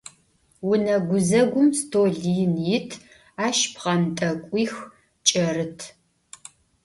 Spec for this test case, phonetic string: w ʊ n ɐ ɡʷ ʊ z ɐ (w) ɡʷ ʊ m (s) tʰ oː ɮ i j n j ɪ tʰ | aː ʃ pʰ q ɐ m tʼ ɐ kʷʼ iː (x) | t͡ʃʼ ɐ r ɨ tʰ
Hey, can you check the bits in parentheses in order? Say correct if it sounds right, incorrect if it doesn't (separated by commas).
incorrect, correct, correct